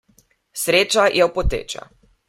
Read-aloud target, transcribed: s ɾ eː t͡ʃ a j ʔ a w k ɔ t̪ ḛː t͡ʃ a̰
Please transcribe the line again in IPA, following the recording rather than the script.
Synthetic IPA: s ɾ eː t͡ʃ a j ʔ ɛ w p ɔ t̪ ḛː t͡ʃ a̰